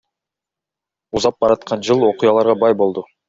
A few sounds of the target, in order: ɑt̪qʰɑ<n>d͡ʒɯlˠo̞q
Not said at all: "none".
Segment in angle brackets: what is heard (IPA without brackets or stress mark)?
n